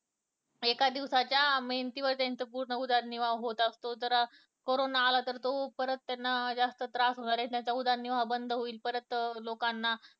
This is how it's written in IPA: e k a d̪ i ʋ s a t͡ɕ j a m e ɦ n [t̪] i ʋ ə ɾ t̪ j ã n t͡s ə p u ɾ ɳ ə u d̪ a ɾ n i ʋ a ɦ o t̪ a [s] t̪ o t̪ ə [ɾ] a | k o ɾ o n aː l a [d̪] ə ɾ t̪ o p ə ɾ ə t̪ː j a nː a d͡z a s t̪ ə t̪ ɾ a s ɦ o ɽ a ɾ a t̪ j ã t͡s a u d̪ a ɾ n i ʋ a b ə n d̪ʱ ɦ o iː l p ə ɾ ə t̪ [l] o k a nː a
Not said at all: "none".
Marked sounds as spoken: t̪, s, ɾ, t̪, l

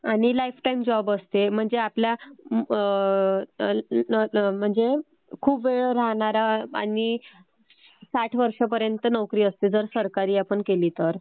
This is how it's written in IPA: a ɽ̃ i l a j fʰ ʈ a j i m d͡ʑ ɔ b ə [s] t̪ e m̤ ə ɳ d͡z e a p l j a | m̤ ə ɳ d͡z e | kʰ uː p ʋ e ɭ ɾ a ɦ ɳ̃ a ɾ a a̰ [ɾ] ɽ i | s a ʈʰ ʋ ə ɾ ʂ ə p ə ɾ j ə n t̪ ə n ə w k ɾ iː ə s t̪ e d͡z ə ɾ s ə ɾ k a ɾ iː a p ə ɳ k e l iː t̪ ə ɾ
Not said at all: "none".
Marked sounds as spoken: s, none

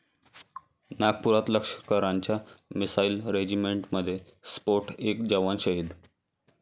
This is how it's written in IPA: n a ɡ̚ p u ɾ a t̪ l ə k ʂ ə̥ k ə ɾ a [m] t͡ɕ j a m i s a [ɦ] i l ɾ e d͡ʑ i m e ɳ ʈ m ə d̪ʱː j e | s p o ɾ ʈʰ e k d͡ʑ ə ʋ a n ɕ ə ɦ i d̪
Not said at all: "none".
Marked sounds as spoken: ɲ, none

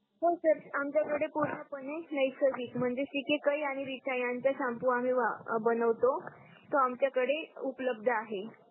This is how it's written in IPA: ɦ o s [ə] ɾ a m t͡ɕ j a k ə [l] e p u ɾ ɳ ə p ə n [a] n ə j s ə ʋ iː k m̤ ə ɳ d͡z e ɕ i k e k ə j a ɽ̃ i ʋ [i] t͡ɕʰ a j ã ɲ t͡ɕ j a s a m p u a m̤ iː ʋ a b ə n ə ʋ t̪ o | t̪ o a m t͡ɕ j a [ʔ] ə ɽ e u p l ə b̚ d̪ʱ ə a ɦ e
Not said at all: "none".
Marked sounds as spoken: ə, ɽ, e, i, k

